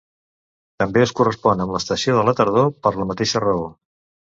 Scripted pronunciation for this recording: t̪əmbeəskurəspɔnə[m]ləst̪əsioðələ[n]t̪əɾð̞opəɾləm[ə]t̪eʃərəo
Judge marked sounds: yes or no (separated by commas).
yes, no, yes